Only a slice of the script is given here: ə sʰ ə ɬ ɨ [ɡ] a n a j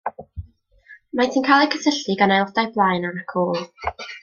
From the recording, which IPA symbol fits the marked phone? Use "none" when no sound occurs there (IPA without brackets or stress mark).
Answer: ɡ